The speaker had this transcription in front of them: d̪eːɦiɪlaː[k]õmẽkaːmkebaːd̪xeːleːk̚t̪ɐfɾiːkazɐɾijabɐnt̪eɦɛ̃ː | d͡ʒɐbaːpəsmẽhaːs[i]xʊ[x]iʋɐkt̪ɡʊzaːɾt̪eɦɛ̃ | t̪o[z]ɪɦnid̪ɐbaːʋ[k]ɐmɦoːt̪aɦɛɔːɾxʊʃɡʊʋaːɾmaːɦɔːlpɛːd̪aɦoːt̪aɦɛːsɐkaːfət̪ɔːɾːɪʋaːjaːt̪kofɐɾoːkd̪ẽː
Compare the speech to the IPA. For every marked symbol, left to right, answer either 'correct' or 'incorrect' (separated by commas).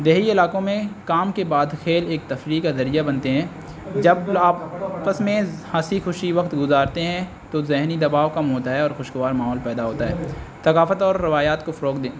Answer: correct, correct, incorrect, correct, correct